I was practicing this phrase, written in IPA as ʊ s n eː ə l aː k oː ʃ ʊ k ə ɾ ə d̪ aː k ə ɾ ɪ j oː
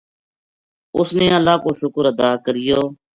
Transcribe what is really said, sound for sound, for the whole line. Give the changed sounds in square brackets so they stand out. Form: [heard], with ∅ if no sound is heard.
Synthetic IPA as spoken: ʊ s n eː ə l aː k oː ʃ ʊ k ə ɾ ə d̪ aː k ə ɾ ɪ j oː